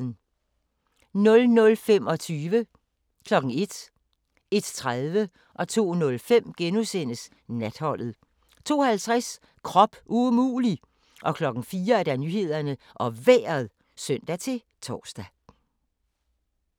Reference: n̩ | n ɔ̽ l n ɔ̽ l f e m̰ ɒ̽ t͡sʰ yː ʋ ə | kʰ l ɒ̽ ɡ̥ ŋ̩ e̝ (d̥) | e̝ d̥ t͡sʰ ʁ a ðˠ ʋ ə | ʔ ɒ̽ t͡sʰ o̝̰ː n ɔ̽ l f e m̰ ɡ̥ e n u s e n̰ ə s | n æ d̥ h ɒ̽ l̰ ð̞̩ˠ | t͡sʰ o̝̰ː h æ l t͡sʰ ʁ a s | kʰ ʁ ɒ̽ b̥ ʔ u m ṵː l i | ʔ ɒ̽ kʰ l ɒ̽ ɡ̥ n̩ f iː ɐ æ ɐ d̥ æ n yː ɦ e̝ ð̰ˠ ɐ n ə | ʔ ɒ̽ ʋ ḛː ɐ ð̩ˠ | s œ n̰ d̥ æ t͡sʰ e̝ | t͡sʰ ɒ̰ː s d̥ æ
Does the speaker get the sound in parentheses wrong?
no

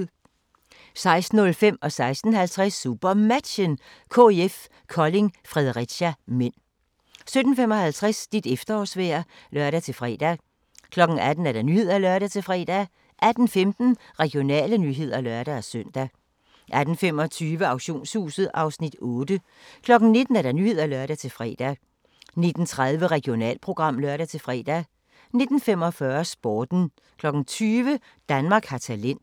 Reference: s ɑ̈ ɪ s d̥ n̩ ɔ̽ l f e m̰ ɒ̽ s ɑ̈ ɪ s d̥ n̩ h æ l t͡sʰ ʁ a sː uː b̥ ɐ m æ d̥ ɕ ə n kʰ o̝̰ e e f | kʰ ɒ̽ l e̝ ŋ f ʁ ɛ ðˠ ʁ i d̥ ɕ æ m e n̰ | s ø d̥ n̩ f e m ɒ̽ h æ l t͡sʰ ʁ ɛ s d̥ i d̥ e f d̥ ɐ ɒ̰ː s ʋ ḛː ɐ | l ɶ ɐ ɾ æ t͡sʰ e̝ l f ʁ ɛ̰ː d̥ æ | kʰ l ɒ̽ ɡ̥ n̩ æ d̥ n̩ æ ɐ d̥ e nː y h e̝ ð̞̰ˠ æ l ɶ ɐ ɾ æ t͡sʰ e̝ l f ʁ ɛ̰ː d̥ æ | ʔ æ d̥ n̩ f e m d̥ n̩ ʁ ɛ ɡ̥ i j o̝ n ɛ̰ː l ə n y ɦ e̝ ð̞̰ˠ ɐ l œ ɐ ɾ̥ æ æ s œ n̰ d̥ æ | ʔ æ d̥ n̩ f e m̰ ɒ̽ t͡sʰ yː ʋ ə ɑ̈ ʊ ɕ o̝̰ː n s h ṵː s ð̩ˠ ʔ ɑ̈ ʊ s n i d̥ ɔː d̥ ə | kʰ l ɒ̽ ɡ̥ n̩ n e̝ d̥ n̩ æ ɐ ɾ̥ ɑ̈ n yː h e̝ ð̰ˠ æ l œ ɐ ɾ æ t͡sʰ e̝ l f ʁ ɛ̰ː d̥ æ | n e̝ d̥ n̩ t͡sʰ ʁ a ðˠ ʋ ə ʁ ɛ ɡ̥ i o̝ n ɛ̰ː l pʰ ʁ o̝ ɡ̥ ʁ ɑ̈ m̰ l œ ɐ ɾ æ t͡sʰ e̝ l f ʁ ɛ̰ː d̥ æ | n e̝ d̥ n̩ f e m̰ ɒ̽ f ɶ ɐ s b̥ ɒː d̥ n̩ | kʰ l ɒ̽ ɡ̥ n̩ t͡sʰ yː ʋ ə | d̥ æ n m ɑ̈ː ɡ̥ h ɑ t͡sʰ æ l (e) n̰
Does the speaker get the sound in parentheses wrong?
no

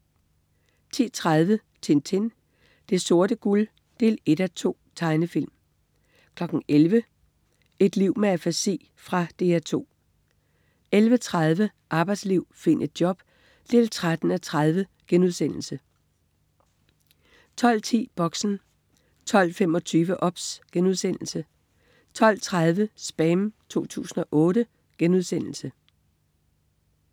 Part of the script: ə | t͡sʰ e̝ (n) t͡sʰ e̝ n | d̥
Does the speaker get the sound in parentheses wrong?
no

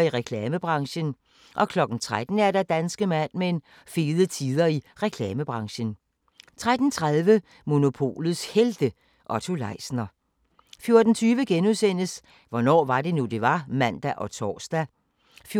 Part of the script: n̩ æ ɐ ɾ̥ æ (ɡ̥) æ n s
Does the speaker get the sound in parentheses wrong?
yes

